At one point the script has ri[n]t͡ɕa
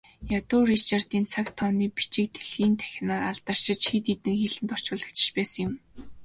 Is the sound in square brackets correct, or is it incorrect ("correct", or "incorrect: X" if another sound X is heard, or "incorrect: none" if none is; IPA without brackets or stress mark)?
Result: incorrect: none